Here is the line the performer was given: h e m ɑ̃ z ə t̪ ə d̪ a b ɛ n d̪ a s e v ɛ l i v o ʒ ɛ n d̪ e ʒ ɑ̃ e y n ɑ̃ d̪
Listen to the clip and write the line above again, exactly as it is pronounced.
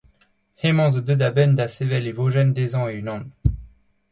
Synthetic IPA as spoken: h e m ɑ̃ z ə d̪ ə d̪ a b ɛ n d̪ a s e v ɛ l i v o ʒ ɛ n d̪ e z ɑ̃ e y n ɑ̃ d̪

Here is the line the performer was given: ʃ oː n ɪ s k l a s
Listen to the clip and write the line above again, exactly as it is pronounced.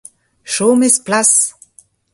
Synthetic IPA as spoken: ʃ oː m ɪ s p l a s

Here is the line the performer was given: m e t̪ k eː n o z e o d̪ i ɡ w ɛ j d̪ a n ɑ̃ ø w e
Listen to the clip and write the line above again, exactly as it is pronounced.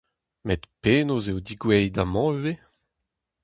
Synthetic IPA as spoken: m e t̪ p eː n o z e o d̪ i ɡ w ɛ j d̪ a m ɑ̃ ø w e

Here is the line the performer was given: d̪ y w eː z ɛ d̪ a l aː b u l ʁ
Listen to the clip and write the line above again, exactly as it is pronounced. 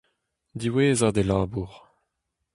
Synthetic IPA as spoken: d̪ i w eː z a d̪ e l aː b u ʁ

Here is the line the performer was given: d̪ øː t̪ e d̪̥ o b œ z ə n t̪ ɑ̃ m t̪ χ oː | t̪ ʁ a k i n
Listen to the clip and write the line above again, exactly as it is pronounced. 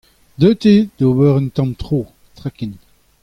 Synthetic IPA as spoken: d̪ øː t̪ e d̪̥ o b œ ʁ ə n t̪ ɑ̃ m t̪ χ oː | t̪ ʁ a k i n

